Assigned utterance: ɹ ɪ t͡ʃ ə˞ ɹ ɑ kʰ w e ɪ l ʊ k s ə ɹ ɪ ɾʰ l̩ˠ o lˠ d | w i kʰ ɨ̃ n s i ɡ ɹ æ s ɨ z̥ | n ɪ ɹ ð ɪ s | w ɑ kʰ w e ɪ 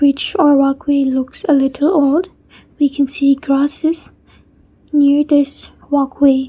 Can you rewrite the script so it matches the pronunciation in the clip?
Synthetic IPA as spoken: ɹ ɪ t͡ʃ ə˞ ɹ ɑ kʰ w e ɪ l ʊ k s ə l ɪ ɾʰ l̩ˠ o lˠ d | w i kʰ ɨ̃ n s i ɡ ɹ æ s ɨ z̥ | n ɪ ɹ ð ɪ s | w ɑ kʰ w e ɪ